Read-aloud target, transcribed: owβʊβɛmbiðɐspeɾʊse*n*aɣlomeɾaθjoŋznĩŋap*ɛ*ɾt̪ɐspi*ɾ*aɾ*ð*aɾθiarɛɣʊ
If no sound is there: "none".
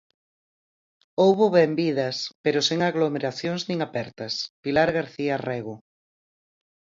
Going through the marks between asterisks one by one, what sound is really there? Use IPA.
ŋ, ɛ, l, ɣ

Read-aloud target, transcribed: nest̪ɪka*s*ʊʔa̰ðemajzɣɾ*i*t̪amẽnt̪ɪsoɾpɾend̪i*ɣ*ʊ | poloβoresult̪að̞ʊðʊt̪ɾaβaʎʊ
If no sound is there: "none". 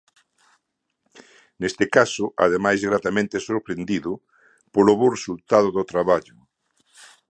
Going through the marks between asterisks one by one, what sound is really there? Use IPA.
s, a, ð

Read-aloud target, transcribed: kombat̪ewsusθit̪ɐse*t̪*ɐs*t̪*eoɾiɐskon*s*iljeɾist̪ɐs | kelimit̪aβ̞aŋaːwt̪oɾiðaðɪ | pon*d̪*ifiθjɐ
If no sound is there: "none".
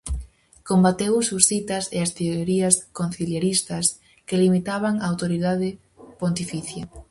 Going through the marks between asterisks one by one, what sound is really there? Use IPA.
none, t̪, θ, t̪

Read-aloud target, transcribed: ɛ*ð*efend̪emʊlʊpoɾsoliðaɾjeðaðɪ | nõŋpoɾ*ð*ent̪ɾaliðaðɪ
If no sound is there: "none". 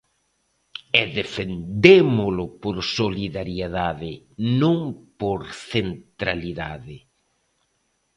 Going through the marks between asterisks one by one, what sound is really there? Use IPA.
ð, θ

